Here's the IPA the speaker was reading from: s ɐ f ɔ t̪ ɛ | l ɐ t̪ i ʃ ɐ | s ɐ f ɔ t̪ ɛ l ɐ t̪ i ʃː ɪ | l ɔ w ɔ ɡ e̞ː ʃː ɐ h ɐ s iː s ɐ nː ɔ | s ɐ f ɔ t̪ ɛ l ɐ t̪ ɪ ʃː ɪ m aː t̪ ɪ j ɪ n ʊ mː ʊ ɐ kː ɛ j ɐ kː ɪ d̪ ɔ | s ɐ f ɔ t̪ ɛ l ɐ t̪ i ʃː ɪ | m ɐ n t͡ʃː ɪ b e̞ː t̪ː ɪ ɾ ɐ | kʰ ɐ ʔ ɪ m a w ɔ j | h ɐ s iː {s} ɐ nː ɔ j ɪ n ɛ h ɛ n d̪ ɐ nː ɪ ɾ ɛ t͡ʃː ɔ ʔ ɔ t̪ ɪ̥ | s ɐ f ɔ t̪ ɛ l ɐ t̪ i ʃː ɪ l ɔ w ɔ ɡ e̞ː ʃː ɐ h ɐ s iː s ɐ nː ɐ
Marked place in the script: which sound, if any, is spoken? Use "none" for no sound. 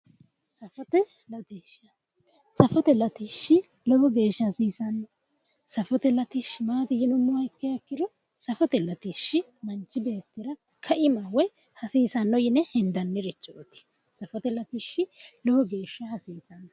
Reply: s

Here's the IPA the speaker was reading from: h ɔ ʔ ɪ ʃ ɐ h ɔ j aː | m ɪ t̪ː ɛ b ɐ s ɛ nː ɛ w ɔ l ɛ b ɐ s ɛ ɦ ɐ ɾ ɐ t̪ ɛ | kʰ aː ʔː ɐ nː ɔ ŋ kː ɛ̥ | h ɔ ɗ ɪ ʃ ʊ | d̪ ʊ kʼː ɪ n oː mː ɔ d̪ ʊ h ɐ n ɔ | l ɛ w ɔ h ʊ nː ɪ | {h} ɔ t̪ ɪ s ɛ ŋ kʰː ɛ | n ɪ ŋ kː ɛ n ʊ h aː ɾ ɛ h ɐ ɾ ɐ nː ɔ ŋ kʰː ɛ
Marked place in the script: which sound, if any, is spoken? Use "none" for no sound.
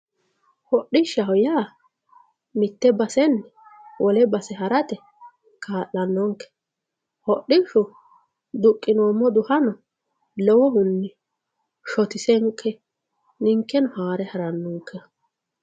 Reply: ʃ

